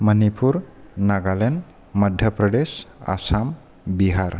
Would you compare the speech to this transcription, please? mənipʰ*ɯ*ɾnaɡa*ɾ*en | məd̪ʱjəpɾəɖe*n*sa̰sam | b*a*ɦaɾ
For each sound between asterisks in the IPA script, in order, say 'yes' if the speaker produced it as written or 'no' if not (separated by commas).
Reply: no, no, no, no